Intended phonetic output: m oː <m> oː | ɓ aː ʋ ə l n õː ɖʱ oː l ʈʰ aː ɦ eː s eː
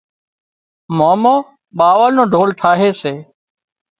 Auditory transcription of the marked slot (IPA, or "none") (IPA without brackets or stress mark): m